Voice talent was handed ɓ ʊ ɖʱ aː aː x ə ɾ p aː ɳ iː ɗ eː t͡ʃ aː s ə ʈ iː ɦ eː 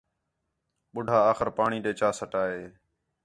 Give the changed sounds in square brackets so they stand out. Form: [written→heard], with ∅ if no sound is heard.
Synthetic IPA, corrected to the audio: ɓ ʊ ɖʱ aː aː x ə ɾ p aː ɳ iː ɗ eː t͡ʃ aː s ə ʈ [iː→aː] ɦ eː